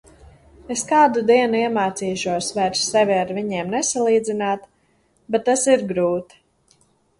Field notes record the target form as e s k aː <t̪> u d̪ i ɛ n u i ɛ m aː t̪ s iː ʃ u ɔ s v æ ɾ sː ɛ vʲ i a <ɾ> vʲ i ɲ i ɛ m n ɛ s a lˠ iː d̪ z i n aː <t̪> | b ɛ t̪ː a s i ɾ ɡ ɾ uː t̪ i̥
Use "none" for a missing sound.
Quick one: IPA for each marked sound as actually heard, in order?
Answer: d̪, ɾ, t̪

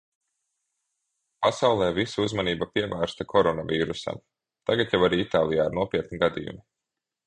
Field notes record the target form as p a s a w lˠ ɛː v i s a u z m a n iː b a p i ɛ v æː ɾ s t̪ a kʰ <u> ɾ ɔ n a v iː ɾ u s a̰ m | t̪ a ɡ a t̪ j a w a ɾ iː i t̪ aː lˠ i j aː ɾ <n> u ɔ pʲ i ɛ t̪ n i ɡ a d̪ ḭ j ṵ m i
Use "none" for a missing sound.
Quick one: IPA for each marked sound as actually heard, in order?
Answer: ɔ, n

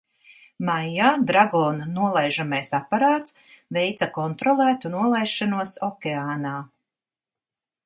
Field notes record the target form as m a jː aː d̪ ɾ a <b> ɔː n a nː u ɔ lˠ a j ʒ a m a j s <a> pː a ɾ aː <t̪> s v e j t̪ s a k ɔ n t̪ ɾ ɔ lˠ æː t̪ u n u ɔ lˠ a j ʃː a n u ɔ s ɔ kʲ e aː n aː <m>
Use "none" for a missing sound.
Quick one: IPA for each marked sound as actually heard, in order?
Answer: ɡ, a, t̪, none

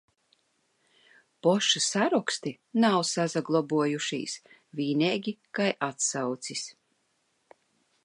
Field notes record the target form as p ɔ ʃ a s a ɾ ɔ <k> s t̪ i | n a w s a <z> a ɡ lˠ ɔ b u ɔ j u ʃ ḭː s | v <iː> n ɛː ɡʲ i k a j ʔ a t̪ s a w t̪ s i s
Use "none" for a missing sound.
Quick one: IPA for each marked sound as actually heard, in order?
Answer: k, z, iː

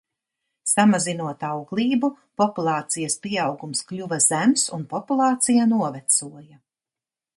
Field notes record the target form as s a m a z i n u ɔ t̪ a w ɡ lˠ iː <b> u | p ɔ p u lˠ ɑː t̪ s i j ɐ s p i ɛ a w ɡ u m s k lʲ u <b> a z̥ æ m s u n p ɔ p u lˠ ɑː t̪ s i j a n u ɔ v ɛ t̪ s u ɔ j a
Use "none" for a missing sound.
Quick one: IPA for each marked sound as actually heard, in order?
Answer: b, v

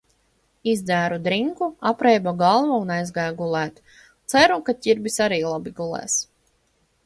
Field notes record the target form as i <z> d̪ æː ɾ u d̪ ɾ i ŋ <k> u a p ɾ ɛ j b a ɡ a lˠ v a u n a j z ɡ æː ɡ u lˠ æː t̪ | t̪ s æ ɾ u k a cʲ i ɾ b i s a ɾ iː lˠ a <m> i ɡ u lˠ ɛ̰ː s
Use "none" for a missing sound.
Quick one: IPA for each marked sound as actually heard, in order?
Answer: z, k, b

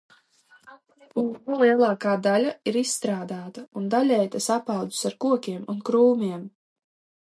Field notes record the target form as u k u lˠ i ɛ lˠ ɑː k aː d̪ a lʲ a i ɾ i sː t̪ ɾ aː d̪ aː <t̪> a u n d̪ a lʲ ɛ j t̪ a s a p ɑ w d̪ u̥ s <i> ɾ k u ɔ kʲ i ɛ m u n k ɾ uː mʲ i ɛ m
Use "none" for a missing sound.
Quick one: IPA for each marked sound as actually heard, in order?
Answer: t̪, a

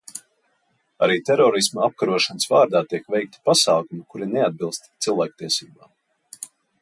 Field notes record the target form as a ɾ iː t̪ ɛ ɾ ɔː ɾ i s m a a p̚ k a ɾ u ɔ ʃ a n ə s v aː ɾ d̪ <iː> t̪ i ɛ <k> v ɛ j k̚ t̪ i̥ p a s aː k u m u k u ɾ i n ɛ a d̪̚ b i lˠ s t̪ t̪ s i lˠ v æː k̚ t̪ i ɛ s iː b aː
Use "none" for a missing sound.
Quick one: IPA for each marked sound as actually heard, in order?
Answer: aː, k

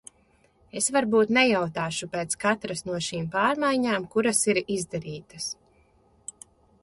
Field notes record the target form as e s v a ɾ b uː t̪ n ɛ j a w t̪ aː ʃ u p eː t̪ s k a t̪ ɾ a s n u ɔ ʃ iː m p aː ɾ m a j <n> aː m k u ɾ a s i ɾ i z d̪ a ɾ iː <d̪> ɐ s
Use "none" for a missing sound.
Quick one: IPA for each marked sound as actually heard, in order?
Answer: ɲ, t̪

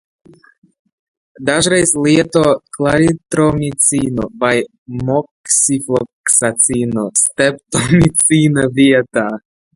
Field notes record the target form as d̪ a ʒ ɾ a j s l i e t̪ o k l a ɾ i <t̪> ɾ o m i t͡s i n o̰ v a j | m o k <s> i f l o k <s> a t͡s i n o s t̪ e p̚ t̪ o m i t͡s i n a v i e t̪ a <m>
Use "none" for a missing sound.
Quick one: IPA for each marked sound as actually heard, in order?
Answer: t̪, s, s, none

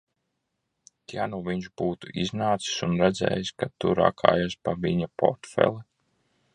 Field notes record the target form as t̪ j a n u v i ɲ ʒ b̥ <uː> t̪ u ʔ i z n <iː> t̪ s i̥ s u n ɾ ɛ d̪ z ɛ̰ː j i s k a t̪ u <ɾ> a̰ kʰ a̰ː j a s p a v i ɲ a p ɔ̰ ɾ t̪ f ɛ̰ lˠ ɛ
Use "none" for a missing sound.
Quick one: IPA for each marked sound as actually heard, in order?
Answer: uː, aː, ɾ

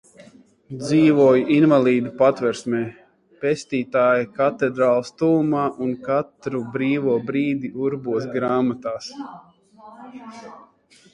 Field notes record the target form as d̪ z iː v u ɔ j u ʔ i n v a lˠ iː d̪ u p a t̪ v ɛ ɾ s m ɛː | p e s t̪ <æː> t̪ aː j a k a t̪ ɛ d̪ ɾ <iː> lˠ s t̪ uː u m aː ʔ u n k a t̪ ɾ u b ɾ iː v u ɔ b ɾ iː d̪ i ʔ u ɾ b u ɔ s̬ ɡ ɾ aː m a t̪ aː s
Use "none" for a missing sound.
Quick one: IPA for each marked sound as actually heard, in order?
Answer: iː, aː

